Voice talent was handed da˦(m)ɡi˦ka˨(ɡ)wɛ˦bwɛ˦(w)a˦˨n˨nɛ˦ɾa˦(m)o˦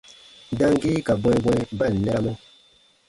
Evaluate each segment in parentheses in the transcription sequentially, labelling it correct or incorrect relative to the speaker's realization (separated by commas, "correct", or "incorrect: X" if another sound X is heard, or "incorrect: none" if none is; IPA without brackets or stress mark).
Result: incorrect: ŋ, incorrect: b, incorrect: b, correct